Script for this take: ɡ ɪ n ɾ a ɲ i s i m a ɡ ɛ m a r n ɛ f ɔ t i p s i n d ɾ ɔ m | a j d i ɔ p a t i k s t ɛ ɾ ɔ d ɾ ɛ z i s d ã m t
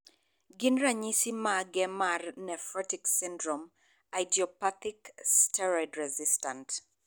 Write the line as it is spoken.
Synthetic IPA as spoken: ɡ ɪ n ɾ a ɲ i s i m a ɡ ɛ m a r n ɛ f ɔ t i k s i n d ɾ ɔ m | a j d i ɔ p a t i k s t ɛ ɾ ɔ d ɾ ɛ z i s t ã n t